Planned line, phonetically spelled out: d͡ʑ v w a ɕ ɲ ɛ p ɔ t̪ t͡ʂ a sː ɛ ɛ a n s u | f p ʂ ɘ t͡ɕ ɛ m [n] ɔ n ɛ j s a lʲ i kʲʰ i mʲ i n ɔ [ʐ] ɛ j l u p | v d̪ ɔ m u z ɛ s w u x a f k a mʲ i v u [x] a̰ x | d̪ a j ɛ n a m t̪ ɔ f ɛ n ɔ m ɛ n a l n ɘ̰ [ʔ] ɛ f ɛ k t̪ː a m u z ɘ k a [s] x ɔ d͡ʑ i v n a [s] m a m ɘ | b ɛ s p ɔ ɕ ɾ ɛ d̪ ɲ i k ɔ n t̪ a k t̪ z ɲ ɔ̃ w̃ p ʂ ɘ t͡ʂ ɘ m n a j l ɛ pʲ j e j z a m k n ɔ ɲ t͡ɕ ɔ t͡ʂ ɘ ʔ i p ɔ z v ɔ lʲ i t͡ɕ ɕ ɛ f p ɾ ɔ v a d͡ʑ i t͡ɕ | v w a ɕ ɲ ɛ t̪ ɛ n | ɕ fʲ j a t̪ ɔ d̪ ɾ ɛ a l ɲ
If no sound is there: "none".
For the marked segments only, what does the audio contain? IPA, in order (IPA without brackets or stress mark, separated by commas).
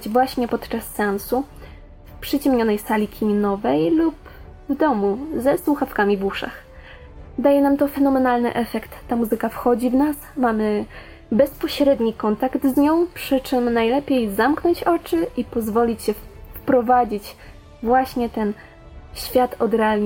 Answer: ɲ, v, ʂ, ʔ, f, s